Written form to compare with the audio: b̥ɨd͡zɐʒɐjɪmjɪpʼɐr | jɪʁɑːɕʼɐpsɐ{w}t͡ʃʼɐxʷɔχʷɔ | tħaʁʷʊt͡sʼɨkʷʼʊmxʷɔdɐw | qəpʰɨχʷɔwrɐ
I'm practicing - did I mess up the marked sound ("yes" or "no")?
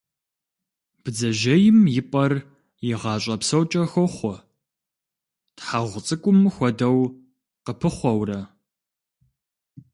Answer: no